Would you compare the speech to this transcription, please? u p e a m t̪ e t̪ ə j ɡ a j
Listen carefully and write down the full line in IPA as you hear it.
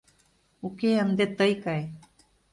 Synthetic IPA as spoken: u k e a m d̪ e t̪ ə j k a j